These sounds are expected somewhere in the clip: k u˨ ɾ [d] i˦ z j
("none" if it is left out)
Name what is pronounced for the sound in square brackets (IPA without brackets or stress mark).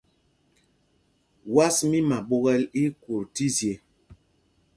t